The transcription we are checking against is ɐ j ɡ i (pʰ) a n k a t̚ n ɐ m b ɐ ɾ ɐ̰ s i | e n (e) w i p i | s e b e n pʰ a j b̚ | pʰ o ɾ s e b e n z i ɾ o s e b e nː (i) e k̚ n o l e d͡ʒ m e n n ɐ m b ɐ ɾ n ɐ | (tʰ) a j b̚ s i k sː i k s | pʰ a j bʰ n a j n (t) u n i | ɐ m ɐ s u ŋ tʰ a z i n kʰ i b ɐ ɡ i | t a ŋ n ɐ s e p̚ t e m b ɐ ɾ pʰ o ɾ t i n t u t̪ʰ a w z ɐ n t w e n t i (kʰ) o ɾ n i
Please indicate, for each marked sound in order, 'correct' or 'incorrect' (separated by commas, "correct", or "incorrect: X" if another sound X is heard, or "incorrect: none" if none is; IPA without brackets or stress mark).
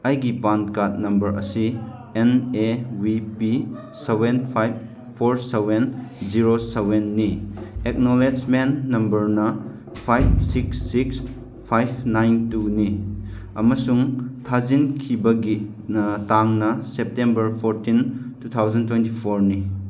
incorrect: p, correct, correct, incorrect: pʰ, correct, incorrect: pʰ